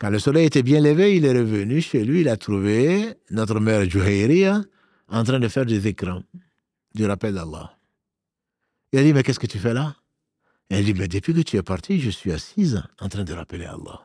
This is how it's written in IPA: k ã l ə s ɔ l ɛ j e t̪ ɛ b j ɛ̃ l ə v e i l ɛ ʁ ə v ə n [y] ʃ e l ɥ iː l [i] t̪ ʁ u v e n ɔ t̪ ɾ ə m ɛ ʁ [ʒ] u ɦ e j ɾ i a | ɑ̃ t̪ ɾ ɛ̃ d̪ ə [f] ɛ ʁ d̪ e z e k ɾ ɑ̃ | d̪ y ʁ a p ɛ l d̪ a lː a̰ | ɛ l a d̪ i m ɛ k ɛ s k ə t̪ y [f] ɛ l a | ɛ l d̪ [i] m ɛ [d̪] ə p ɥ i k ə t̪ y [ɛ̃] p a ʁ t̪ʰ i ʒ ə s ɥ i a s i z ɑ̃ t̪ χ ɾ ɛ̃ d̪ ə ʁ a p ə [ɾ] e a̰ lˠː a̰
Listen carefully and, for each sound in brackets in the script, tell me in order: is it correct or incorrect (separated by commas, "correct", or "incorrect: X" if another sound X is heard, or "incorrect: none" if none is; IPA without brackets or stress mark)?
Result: correct, incorrect: a, correct, correct, correct, correct, correct, incorrect: ɛ, incorrect: l